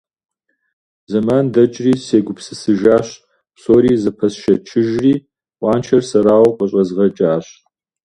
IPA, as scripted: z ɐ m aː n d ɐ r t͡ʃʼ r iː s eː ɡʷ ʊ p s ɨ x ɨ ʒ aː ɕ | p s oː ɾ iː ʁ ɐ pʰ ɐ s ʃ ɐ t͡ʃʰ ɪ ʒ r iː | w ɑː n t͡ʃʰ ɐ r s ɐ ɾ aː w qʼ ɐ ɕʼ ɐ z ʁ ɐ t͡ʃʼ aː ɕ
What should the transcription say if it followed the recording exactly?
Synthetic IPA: z ɐ m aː n d ɐ t͡ʃʼ r iː s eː ɡʷ ʊ p s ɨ s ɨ ʒ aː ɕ | p s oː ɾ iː z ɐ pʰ ɐ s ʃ ɐ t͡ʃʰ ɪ ʒ r iː | w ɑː n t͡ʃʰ ɐ r s ɐ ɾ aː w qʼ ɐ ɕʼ ɐ z ʁ ɐ t͡ʃʼ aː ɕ

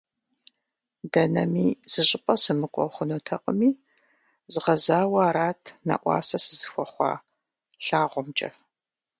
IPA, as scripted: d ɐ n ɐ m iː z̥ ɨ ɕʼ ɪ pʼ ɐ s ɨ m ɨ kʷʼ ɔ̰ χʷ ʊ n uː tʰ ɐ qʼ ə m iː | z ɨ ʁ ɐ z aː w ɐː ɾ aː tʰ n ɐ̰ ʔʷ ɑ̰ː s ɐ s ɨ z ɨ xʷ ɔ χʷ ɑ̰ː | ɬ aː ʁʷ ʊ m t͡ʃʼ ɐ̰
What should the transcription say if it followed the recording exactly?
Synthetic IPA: d ɐ n ɐ m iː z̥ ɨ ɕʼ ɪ pʼ ɐ s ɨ m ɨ kʷʼ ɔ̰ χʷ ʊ n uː tʰ ɐ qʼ ə m iː | z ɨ ʁ ɐ z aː w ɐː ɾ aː tʰ n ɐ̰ ʔʷ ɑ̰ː s ɐ s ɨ z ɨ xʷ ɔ χʷ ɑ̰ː | ɬ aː ʁʷ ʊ m t͡ʃʼ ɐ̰

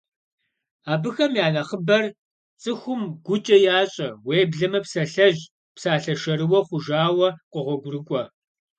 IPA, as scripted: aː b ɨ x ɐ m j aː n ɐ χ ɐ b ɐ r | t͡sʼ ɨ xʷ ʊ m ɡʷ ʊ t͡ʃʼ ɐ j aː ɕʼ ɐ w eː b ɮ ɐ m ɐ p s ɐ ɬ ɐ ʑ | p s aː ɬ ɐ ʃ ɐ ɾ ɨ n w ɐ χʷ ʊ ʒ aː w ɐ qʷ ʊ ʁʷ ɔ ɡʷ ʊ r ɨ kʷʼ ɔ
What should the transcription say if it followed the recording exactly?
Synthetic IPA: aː b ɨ x ɐ m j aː n ɐ χ ə b ɐ r | t͡sʼ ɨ xʷ ʊ m ɡʷ ʊ t͡ʃʼ ɐ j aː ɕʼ ɐ w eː b ɮ ɐ m ɐ p s ɐ ɬ ɐ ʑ | p s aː ɬ ɐ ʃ ɐ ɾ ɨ w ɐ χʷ ʊ ʒ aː w ɐ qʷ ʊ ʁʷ ɔ ɡʷ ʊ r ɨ kʷʼ ɔ

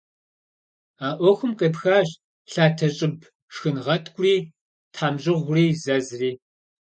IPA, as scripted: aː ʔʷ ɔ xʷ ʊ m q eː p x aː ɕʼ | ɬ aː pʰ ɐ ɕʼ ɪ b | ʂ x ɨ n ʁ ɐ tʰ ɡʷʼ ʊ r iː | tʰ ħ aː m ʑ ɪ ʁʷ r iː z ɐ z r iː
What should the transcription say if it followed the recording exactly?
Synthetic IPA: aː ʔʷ ɔ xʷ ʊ m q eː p x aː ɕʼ | ɬ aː tʰ ɐ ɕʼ ɪ b | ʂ x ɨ n ʁ ɐ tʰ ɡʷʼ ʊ r iː | tʰ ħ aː m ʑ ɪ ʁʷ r iː z ɐ z r iː

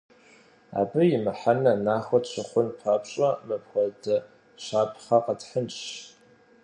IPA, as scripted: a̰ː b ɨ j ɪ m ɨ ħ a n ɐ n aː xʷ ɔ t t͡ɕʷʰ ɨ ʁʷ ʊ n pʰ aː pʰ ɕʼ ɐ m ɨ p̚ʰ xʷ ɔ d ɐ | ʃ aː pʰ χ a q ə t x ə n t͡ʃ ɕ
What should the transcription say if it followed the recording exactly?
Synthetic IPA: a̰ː b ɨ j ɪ m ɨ ħ a n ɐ n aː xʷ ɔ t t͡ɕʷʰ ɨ χʷ ʊ n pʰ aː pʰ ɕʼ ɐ m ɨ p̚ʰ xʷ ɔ d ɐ | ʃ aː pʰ χ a q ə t ħ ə n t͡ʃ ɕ

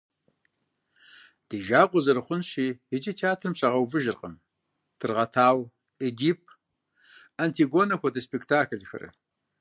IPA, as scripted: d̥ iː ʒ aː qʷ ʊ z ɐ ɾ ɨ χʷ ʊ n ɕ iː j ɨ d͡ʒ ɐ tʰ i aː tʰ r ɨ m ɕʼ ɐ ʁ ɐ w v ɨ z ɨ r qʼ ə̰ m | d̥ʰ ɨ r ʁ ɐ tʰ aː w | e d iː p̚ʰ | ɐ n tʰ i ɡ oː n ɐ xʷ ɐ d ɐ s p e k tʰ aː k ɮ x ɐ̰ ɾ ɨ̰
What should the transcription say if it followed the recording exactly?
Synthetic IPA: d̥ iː ʒ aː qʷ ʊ z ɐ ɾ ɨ χʷ ʊ n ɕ iː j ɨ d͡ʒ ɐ tʰ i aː tʰ r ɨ m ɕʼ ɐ ʁ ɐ w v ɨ ʒ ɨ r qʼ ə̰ m | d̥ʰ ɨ r ʁ ɐ tʰ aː w | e d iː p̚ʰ | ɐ n tʰ i ɡ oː n ɐ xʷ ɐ d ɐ s p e k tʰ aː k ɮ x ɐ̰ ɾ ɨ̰

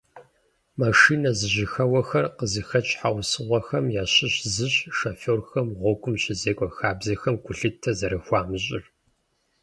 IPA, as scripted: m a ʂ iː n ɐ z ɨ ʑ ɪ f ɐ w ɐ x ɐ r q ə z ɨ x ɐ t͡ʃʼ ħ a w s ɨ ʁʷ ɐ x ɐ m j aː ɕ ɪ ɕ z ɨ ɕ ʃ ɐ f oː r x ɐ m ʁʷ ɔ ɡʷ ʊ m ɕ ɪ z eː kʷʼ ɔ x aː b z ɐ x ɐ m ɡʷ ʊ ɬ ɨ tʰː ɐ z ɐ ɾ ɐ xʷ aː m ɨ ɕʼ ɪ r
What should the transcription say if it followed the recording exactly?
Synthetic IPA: m a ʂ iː n ɐ z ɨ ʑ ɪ x ɐ w ɐ x ɐ r q ə z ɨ x ɐ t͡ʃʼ ħ a w s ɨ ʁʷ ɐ x ɐ m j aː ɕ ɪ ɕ z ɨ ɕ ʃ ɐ f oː r x ɐ m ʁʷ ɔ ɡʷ ʊ m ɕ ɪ z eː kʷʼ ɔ x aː b z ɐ x ɐ m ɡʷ ʊ ɬ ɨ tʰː ɐ z ɐ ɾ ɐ xʷ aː m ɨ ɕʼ ɪ r

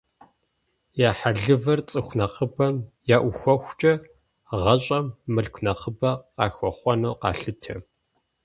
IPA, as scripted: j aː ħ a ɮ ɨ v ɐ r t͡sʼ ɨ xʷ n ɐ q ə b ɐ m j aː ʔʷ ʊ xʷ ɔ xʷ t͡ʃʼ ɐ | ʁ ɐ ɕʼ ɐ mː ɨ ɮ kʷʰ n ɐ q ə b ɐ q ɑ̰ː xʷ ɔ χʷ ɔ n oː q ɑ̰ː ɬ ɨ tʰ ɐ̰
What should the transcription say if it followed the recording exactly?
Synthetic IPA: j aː ħ a ɮ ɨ v ɐ r t͡sʼ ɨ xʷ n ɐ q ə b ɐ m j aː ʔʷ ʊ xʷ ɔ xʷ t͡ʃʼ ɐ | ʁ ɐ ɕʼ ɐ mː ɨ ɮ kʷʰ n ɐ q ə b ɐ q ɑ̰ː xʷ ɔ χʷ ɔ n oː q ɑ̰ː ɬ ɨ tʰ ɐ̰

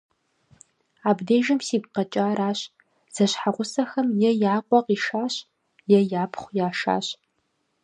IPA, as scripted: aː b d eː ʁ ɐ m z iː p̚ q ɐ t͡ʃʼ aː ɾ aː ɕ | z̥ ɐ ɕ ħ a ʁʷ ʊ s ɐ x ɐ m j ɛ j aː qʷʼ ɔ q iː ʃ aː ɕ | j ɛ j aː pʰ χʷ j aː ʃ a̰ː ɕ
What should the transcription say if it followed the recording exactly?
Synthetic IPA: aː b d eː ʒ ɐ m s iː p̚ q ɐ t͡ʃʼ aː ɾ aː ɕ | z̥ ɐ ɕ ħ a ʁʷ ʊ s ɐ x ɐ m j ɛ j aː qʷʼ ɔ q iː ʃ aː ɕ | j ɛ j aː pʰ χʷ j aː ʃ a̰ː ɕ

